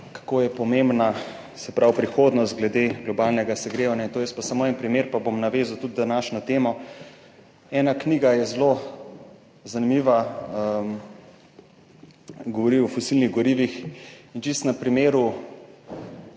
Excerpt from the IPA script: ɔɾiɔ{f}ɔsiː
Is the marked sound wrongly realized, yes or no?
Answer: no